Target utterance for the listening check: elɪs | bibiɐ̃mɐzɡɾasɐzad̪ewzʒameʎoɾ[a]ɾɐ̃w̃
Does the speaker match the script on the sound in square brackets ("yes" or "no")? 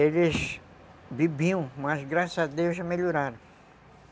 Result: yes